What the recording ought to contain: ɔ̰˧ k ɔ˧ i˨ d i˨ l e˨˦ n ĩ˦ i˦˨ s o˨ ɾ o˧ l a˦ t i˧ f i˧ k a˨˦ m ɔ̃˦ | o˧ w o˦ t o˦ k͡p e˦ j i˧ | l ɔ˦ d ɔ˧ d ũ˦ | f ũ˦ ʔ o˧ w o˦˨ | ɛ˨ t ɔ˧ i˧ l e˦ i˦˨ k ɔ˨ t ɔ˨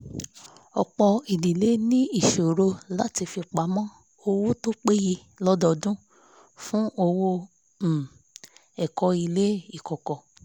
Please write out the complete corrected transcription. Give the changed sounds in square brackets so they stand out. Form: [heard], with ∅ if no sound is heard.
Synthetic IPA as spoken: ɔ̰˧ [k͡p] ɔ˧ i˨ d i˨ l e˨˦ n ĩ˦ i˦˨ [ʃ] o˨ ɾ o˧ l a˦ t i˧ f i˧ [k͡p] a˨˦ m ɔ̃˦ | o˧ w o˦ t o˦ k͡p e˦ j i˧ | l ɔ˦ d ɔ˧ d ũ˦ | f ũ˦ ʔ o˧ w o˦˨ | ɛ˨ [k] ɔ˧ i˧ l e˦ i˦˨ k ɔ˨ [k] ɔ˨